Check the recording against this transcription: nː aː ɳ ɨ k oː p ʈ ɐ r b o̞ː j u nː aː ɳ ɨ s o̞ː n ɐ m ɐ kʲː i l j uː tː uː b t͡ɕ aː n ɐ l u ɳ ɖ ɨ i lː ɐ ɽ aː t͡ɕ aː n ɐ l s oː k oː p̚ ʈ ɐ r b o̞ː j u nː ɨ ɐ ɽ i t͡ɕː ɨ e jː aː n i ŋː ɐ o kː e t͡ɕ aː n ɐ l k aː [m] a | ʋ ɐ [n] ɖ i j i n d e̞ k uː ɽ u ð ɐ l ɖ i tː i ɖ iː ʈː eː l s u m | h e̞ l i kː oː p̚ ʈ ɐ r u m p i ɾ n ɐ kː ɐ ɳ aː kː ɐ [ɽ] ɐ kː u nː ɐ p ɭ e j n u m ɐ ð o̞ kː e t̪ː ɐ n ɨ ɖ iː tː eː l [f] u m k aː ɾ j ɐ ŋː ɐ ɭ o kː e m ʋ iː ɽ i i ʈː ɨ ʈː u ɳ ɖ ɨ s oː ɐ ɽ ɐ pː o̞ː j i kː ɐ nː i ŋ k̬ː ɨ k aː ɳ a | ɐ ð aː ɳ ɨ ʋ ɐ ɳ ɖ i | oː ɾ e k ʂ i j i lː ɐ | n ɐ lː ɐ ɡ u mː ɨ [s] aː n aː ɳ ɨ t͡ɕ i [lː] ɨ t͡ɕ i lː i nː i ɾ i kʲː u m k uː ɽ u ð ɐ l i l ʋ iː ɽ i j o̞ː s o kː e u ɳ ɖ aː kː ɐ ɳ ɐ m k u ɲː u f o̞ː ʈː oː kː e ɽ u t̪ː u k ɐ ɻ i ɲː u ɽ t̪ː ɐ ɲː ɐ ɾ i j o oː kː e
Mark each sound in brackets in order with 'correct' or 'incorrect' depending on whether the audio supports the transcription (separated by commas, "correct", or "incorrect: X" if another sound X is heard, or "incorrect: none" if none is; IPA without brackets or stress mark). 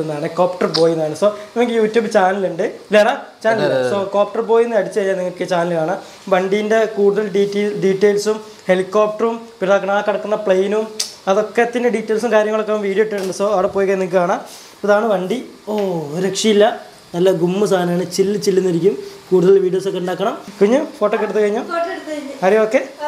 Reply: incorrect: ɳ, incorrect: ɳ, correct, incorrect: s, correct, correct